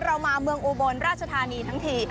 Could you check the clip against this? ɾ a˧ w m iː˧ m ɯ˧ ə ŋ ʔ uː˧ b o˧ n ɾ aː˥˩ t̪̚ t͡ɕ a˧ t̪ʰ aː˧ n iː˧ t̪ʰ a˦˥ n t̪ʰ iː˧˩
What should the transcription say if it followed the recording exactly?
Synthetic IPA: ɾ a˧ w m aː˧ m ɯ˧ ə ŋ ʔ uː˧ b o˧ n ɾ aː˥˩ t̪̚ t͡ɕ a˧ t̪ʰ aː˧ n iː˧ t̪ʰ a˦˥ ŋ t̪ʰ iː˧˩